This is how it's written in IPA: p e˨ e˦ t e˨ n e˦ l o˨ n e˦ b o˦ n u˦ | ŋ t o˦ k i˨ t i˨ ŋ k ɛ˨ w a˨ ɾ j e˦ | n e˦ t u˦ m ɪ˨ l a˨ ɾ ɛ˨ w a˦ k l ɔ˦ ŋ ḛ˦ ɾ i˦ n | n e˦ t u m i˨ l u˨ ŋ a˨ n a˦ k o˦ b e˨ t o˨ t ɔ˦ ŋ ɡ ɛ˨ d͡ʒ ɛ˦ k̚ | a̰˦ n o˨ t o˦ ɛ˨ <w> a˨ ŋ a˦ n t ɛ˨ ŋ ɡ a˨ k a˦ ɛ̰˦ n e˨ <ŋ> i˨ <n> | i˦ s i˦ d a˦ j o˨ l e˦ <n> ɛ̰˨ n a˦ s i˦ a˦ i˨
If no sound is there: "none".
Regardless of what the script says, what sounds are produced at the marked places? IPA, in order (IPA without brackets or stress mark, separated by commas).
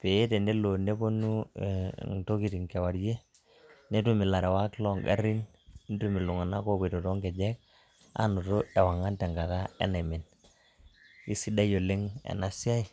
w, m, n, ŋ